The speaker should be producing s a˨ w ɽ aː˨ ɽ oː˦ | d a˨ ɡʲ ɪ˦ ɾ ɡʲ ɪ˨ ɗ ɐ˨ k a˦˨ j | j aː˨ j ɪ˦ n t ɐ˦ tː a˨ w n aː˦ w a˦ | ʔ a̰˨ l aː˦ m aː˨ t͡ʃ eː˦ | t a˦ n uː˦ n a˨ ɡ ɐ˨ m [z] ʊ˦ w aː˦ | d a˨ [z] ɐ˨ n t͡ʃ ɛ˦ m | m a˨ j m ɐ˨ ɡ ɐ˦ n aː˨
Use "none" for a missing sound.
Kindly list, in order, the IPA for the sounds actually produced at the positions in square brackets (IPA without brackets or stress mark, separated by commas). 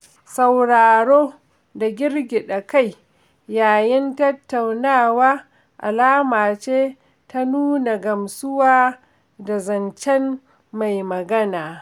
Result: s, z